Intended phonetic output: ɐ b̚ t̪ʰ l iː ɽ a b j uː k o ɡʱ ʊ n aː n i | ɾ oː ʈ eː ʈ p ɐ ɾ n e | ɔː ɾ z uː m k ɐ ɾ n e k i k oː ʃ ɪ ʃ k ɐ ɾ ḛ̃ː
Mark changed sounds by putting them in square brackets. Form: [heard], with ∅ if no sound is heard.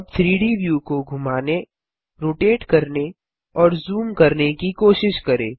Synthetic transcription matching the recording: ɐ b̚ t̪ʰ [ɾ] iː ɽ [i] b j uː k o ɡʱ ʊ [m] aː n [e] | ɾ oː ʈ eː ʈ [k] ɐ ɾ n e | ɔː ɾ z uː m k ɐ ɾ n e k i k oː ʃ ɪ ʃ k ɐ ɾ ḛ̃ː